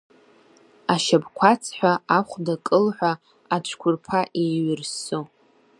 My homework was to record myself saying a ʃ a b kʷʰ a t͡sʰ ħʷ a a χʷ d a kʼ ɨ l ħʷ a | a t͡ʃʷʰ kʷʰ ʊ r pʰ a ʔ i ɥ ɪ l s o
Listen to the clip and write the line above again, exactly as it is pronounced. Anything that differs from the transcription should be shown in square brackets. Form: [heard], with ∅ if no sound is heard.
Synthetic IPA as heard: a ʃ a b kʷʰ a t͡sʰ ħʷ a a χʷ d a kʼ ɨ l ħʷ a | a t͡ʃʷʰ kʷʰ ʊ r pʰ a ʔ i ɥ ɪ [r] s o